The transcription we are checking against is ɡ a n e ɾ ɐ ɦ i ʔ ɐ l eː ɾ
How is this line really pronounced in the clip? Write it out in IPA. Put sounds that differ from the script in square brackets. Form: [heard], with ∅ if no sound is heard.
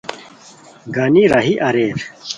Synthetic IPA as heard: ɡ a n [i] ɾ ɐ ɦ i ʔ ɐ [ɾ] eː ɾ